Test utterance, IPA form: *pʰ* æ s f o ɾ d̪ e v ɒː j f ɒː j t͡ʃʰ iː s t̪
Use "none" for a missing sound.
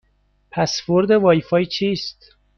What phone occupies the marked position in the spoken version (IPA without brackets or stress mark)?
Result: pʰ